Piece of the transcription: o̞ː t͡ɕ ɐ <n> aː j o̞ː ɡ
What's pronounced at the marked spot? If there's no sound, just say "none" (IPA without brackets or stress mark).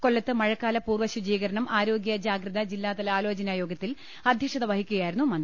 n